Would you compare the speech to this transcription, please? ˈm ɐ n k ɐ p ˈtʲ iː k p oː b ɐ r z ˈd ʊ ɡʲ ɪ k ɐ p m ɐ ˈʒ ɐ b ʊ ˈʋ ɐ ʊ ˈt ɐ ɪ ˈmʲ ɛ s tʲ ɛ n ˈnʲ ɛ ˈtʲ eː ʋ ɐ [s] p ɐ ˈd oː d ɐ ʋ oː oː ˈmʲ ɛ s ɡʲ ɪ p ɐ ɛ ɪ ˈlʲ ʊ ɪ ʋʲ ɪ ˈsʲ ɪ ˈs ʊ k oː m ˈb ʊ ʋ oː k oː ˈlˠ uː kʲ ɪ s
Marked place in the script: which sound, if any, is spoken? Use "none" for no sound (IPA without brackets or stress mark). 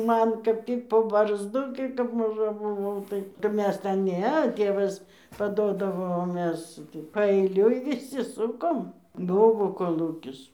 s